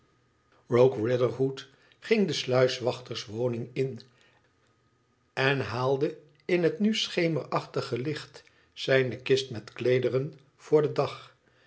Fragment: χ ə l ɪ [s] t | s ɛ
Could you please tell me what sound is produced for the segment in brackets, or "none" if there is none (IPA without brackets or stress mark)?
χ